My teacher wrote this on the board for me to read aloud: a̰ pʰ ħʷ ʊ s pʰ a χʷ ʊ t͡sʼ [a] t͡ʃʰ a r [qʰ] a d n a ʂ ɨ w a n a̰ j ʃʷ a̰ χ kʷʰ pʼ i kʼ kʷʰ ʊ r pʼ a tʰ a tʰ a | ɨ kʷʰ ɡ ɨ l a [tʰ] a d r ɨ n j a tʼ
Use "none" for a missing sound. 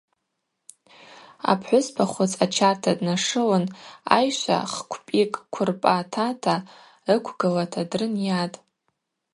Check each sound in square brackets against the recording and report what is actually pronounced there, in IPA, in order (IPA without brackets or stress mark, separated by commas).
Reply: a, tʰ, tʰ